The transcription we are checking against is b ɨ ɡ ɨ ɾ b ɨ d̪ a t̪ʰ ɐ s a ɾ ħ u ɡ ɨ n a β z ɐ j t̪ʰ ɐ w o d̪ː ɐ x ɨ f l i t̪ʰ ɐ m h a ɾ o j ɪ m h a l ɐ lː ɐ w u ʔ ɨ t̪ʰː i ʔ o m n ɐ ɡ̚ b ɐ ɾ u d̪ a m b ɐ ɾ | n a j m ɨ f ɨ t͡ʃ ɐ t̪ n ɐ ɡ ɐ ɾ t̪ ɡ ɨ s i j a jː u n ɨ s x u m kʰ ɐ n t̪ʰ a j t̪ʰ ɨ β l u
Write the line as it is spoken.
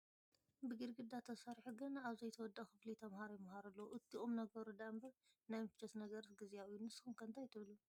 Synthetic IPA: b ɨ ɡ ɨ ɾ ɡ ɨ d̪ a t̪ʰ ɐ s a ɾ ħ u ɡ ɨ n a β z ɐ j t̪ʰ ɐ w ɔ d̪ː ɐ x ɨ f l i t̪ʰ ɐ m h a ɾ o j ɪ m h a ɾ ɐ lː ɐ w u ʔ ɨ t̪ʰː i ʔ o m n ɐ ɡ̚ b ɐ ɾ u d̪ a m b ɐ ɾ | n a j m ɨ f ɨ t͡ʃ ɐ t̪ n ɐ ɡ ɐ ɾ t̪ ɡ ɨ z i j a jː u n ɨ s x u m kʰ ɐ n t̪ʰ a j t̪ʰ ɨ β l u